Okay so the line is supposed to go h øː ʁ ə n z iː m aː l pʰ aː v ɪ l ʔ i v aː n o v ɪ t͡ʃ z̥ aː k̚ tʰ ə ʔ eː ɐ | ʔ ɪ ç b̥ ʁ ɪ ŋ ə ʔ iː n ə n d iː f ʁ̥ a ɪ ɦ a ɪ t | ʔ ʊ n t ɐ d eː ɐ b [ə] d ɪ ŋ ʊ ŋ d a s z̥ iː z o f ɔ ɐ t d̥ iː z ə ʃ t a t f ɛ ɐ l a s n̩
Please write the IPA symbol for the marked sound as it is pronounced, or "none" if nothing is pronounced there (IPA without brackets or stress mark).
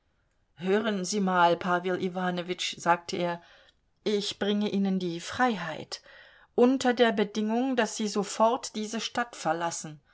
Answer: ə